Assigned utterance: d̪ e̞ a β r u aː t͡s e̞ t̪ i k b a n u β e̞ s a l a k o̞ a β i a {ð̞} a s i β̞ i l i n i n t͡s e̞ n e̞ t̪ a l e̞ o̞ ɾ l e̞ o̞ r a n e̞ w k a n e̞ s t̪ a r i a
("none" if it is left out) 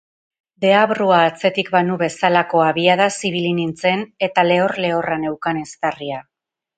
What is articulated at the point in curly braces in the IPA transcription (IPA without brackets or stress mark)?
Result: ð̞